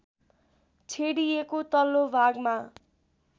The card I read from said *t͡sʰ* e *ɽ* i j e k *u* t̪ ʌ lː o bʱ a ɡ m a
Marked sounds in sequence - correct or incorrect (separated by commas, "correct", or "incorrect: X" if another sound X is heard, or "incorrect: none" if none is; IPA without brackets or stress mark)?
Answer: correct, correct, incorrect: o